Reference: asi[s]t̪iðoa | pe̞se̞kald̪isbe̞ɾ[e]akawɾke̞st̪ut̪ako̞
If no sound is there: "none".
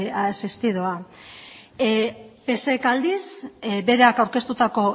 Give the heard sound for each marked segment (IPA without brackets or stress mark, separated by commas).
s, e